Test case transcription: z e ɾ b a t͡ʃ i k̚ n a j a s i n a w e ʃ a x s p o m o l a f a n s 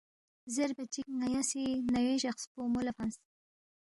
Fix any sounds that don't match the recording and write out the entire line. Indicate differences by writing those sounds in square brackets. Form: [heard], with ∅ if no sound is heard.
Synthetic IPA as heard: z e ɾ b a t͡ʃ i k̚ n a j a s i n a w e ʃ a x s p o m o l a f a n s